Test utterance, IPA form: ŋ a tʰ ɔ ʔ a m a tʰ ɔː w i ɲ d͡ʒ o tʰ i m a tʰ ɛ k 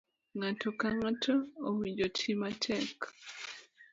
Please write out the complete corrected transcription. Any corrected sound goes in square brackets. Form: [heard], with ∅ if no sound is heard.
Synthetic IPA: ŋ a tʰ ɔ [k] a [ŋ] a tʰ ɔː w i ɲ d͡ʒ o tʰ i m a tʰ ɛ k